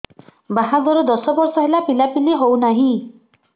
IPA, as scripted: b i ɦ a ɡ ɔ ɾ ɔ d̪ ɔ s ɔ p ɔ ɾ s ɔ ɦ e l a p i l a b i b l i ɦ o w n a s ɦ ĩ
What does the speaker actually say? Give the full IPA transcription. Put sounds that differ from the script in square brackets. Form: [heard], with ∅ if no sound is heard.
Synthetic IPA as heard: b [a] ɦ a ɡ ɔ ɾ ɔ d̪ ɔ s ɔ [b] ɔ ɾ s ɔ ɦ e l a p i l a [p] i [∅] l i ɦ o w n a [∅] ɦ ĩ